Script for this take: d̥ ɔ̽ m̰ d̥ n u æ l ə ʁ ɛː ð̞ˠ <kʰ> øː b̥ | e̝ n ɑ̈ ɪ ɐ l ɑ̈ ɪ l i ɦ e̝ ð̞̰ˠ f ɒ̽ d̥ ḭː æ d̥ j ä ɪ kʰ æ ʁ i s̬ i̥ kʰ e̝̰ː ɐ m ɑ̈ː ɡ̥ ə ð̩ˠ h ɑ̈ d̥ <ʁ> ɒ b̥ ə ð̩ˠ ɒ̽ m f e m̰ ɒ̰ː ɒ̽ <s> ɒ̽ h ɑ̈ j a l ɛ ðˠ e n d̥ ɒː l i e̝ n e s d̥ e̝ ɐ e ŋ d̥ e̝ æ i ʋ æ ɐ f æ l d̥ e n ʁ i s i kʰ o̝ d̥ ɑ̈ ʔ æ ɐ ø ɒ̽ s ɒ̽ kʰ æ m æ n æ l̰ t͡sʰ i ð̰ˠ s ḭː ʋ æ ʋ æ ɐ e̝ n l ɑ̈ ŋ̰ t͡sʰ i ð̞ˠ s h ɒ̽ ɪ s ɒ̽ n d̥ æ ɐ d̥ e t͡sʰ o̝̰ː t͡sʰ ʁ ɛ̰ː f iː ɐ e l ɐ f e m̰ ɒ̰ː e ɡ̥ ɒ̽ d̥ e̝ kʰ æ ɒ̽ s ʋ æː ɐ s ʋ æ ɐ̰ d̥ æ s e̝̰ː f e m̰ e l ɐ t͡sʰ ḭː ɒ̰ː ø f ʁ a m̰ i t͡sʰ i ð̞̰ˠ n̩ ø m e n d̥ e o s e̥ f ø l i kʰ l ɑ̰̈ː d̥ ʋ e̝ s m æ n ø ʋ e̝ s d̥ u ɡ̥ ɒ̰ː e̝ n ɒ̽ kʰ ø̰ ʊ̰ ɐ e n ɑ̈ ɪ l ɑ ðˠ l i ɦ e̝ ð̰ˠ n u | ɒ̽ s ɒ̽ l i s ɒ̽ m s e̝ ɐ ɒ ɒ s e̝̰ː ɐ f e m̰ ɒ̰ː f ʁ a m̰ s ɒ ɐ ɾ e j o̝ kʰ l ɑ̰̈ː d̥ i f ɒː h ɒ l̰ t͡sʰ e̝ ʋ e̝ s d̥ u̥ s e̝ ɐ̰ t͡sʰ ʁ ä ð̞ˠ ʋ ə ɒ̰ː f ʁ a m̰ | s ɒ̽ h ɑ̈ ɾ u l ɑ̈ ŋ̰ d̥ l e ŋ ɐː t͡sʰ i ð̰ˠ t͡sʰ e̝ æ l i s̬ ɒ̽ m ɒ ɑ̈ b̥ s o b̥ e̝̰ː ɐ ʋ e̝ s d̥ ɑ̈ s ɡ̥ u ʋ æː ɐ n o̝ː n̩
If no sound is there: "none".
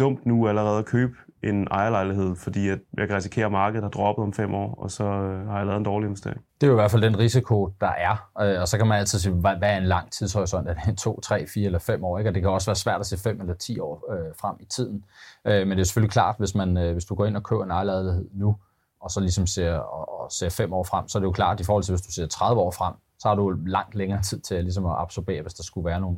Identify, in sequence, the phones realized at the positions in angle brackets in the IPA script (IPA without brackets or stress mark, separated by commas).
kʰ, ʁ, s